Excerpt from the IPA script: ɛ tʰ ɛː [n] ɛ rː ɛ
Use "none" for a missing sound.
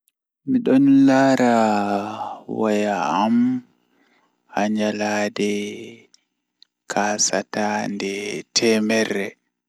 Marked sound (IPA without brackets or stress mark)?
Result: m